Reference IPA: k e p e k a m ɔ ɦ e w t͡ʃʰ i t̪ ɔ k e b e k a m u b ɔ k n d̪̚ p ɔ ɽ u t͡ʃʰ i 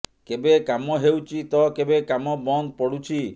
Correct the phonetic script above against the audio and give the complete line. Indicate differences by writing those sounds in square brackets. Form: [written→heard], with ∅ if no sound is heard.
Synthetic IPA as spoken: k e [p→b] e k a m ɔ ɦ e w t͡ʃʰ i t̪ ɔ k e b e k a m [u→ɔ] b ɔ [k→∅] n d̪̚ p ɔ ɽ u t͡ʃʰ i